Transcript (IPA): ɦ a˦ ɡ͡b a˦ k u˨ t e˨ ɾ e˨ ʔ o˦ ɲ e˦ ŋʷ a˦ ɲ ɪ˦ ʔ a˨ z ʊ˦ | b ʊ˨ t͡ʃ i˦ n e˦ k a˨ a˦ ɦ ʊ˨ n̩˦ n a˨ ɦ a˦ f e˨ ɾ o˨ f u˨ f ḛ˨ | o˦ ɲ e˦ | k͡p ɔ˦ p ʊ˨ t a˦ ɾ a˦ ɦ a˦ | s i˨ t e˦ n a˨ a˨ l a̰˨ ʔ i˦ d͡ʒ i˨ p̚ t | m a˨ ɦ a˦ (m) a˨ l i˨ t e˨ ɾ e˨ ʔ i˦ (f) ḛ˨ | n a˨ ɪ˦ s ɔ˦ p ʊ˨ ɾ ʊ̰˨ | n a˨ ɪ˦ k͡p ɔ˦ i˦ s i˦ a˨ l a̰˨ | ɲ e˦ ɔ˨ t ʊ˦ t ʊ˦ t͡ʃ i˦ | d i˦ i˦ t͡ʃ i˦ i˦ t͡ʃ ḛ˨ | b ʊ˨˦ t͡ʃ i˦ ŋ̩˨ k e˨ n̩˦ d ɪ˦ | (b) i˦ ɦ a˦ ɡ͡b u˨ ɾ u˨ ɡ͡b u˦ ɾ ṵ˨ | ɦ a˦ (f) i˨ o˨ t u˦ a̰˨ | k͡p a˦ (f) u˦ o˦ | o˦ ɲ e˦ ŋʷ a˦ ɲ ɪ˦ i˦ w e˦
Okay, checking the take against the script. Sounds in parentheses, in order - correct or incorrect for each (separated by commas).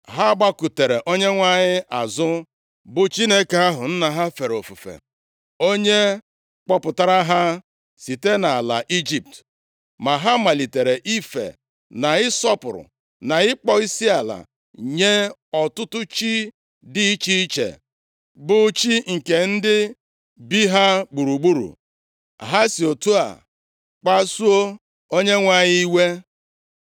correct, correct, correct, incorrect, incorrect